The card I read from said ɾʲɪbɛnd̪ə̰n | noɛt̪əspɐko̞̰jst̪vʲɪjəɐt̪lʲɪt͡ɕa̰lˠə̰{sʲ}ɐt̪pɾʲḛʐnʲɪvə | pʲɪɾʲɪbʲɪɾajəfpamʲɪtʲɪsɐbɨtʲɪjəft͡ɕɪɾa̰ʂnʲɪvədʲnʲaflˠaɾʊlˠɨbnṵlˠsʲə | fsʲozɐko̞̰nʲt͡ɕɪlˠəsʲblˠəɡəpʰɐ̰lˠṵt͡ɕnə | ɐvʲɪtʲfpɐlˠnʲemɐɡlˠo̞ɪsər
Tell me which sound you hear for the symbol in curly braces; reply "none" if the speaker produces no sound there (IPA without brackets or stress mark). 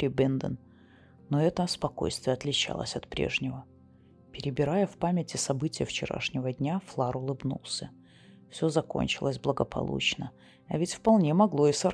sʲ